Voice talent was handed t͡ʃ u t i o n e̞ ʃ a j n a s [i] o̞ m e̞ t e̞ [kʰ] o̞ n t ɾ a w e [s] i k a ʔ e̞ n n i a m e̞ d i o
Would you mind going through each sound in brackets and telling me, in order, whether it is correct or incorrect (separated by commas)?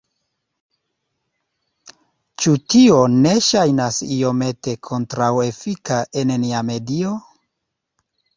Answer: correct, correct, incorrect